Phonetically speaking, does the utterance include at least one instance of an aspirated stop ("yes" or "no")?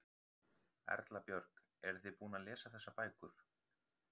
no